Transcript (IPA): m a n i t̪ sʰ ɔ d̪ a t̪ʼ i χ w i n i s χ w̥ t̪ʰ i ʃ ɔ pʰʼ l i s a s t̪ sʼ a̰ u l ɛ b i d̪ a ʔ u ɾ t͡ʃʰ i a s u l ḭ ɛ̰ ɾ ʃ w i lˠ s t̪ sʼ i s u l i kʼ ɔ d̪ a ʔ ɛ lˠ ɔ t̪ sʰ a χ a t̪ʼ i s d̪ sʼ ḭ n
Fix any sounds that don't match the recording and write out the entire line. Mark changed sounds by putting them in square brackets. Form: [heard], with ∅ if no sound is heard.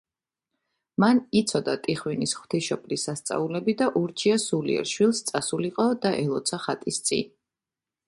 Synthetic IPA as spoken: m a n i t̪ sʰ ɔ d̪ a t̪ʼ i χ w i n i s χ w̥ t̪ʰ i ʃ ɔ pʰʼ l i s a s t̪ sʼ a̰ u l ɛ b i d̪ a ʔ u ɾ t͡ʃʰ i a s u l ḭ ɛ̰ ɾ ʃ w i lˠ s t̪ sʼ [a] s u l i [qʼ] ɔ d̪ a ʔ ɛ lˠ ɔ t̪ sʰ a χ a t̪ʼ i s [t̪] sʼ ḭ n